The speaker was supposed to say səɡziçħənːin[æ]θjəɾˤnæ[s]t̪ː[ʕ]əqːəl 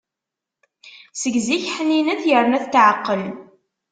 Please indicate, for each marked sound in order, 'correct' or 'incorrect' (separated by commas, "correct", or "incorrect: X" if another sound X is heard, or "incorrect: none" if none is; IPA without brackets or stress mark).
correct, incorrect: θ, correct